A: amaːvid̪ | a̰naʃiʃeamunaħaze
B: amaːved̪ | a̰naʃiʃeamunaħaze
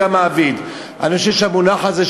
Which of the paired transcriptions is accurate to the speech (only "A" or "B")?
A